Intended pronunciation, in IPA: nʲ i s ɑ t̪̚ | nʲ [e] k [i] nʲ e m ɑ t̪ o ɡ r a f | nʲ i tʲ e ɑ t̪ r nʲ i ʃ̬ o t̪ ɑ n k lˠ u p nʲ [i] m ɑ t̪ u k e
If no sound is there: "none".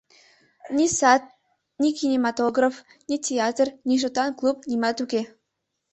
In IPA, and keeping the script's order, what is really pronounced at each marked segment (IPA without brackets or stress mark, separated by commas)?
i, i, i